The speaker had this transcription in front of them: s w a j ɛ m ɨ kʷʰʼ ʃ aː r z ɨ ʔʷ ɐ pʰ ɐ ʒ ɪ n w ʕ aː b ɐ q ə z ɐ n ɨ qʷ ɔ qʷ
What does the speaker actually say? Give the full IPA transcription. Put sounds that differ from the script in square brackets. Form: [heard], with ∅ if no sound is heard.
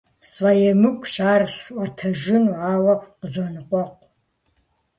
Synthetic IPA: s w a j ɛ m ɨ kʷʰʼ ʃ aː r [s] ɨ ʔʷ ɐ [tʰ] ɐ ʒ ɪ n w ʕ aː [w] ɐ q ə z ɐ n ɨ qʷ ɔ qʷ